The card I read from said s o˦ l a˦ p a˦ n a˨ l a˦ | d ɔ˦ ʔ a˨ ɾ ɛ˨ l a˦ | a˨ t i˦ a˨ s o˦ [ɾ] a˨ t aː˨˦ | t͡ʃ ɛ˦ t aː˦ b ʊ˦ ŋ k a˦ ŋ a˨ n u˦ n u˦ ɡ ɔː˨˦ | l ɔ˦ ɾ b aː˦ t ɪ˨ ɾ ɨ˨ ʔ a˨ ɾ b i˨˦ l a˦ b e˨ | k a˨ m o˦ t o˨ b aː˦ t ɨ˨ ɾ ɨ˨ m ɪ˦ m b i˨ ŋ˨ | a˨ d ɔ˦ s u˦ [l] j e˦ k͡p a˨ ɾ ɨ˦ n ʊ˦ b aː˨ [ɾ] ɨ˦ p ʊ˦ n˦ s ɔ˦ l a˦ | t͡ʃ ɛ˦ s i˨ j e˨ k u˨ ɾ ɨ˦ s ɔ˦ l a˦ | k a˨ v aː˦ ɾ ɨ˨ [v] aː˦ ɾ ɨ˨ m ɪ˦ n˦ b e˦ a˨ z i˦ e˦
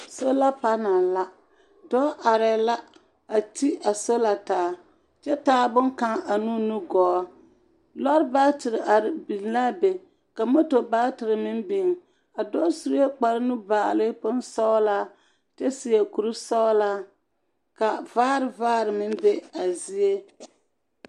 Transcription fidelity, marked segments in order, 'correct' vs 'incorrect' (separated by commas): incorrect, incorrect, incorrect, correct